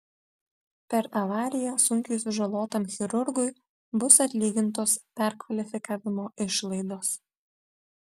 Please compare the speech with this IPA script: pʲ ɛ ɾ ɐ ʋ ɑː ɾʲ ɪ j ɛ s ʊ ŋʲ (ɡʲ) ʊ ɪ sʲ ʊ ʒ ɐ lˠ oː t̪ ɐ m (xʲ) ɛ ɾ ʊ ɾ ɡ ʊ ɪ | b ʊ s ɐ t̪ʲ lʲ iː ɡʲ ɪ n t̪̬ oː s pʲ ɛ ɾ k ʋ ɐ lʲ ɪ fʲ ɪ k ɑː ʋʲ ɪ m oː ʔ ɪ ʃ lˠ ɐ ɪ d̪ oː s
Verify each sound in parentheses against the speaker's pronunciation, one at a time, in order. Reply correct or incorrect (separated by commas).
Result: incorrect, correct